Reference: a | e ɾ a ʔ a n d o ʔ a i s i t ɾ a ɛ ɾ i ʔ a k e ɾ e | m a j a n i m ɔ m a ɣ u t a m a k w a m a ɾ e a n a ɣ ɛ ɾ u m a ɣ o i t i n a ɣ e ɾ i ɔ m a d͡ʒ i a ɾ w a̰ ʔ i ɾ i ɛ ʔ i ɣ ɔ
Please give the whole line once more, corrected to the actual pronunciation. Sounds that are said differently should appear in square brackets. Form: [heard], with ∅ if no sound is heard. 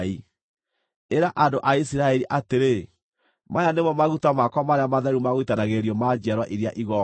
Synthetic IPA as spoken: [i] | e ɾ a ʔ a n d o ʔ a i s i [∅] ɾ a ɛ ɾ i ʔ a [t] e ɾ e | m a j a n [e] m ɔ m a ɣ u t a m a k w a m a ɾ e a [m] a [ð] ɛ ɾ u m a ɣ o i t [a] n a ɣ e ɾ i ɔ m a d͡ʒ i a ɾ w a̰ ʔ i ɾ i [a] ʔ i ɣ ɔ